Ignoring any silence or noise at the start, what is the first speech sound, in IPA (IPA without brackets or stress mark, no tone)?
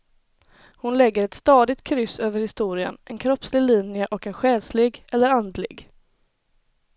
h